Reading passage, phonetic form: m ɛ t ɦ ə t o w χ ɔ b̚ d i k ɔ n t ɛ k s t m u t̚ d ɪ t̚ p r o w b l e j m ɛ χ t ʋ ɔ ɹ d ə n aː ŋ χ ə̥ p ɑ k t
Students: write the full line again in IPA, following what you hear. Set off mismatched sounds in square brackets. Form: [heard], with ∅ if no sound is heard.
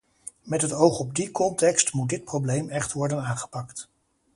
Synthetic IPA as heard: m ɛ t ɦ ə t o w χ ɔ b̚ d i k ɔ n t ɛ k s t m u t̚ d ɪ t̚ p r o w b l e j m ɛ χ t ʋ ɔ ɹ d ə n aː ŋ χ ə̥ p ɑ k t

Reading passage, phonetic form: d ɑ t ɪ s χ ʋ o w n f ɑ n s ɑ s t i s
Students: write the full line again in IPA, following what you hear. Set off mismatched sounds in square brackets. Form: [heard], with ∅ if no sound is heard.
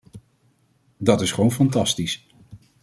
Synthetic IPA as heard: d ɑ t ɪ s χ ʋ o w n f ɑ n [t] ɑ s t i s

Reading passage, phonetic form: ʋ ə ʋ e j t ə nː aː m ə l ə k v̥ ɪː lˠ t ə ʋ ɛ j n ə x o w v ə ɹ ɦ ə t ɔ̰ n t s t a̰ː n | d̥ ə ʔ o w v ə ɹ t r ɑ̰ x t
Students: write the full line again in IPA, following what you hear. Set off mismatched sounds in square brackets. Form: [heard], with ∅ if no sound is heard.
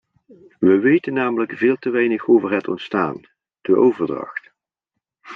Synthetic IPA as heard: ʋ ə ʋ e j t ə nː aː m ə l ə k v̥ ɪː lˠ t ə ʋ ɛ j n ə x o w v ə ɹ ɦ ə t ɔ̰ n t s t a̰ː n | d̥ ə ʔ o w v ə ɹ [d] r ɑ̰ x t

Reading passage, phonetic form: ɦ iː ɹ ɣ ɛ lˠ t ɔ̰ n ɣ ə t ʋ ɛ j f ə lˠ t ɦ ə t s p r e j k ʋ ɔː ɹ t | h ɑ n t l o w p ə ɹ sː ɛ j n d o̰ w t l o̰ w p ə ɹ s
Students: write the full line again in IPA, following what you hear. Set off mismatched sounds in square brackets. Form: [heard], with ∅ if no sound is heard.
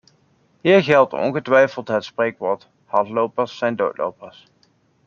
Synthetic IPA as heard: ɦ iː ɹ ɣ ɛ lˠ t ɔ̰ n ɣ ə t ʋ ɛ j f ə lˠ t ɦ ə t s p r e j k ʋ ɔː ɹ t | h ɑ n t l o w p ə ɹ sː ɛ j n d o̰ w t l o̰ w p ə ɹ s

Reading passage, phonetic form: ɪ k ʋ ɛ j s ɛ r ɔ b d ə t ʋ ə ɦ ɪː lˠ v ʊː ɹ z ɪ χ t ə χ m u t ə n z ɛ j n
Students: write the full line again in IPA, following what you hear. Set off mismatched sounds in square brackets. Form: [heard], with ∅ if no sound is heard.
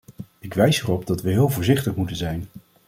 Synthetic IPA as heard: ɪ k ʋ ɛ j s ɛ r ɔ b d [ɑ] t ʋ ə ɦ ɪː lˠ v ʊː ɹ z ɪ χ t ə χ m u t ə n z ɛ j n

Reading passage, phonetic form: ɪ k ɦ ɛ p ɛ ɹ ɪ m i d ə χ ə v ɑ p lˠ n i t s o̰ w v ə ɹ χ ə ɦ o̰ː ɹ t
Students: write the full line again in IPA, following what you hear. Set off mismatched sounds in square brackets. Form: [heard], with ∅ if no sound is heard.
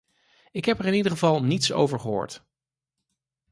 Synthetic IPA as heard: ɪ k ɦ ɛ p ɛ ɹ ɪ [n] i d ə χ ə v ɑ [∅] lˠ n i t s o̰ w v ə ɹ χ ə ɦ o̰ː ɹ t

